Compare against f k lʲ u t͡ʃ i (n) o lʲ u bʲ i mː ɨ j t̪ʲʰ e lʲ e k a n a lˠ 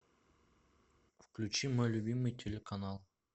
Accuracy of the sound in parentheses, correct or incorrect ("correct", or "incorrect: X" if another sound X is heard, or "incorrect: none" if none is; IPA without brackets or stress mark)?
incorrect: m